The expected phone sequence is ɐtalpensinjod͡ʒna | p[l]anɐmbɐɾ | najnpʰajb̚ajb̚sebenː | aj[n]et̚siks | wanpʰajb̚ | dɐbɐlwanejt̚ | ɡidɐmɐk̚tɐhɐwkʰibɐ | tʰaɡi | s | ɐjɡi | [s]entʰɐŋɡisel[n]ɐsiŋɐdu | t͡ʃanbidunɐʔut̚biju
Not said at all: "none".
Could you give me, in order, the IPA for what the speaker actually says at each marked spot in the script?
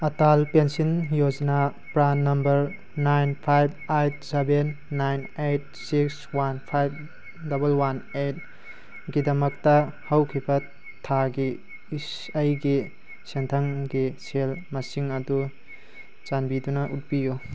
ɾ, n, s, m

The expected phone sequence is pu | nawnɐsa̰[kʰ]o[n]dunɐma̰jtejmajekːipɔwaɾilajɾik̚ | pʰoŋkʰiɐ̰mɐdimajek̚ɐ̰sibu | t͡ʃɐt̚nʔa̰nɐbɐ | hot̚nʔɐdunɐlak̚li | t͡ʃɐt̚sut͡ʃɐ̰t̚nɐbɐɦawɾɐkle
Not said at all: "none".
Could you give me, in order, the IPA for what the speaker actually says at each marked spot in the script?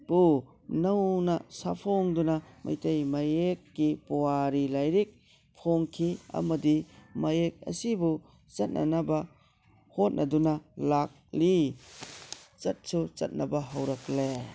pʰ, ŋ

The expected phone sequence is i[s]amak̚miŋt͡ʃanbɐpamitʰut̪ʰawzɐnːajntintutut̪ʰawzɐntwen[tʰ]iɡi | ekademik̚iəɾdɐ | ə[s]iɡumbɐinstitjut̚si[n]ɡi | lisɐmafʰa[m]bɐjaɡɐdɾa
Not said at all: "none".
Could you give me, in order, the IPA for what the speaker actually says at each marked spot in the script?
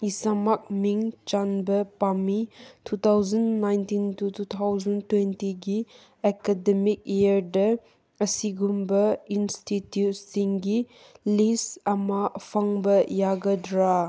s, t, s, ŋ, ŋ

